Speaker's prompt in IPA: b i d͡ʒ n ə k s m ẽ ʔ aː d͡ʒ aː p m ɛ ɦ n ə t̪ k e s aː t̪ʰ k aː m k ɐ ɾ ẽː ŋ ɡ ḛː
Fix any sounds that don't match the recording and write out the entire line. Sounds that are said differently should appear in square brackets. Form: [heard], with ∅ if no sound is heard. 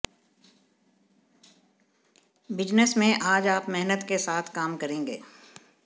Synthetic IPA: b [ɪ] d͡ʒ n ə [∅] s m ẽ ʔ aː d͡ʒ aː p m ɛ ɦ n ə t̪ k e s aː t̪ʰ k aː m k ɐ ɾ ẽː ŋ ɡ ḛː